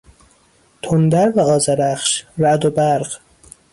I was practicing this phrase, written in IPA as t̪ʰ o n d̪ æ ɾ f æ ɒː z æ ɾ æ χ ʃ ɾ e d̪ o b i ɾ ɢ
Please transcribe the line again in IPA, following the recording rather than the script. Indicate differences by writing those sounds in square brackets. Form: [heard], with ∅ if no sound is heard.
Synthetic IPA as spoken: t̪ʰ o n d̪ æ ɾ [v] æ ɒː z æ ɾ æ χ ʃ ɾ [æ] d̪ o b [æ] ɾ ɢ